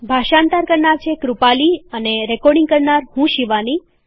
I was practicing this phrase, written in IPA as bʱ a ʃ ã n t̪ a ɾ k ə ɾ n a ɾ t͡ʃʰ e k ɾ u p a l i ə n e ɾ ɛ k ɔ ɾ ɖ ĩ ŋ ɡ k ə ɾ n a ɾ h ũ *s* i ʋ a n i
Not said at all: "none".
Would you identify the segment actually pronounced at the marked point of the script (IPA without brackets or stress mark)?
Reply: ʃ